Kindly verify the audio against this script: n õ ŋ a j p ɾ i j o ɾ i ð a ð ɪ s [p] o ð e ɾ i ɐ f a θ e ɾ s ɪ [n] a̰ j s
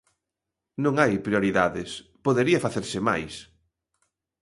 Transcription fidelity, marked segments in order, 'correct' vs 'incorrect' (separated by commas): correct, incorrect